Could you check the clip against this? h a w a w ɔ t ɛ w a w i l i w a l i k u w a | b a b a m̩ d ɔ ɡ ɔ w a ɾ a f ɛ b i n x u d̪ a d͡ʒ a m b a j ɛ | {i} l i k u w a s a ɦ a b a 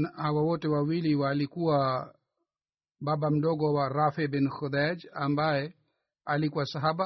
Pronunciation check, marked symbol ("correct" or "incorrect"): incorrect